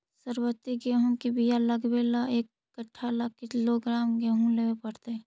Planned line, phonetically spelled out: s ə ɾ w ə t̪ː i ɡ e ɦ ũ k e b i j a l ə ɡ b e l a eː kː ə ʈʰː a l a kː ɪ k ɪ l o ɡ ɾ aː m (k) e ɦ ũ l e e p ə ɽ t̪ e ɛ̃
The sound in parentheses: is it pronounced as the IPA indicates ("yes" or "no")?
no